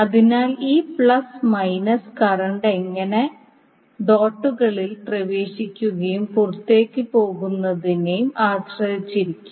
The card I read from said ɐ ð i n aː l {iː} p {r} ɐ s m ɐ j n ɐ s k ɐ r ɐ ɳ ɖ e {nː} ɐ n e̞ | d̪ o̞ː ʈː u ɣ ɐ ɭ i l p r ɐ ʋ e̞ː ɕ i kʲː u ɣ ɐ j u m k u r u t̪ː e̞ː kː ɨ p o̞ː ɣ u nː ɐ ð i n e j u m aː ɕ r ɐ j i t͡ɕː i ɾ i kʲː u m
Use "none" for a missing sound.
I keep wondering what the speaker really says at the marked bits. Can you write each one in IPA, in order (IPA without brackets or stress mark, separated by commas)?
iː, ɭ, ŋː